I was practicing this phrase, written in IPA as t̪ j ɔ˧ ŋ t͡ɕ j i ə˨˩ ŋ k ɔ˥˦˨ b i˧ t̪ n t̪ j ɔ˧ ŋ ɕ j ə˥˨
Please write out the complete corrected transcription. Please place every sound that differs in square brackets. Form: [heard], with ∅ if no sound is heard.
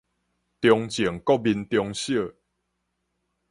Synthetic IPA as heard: t̪ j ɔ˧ ŋ t͡ɕ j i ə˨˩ ŋ k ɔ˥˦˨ b i˧ [∅] n t̪ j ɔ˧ ŋ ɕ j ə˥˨